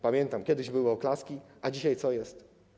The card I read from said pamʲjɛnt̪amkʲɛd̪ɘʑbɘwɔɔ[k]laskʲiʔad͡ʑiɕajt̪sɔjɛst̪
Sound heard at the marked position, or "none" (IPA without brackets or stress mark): k